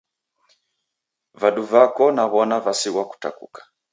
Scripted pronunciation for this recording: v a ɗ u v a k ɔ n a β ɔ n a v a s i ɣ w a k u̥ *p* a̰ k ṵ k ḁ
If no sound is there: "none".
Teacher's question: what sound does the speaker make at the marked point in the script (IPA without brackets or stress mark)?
t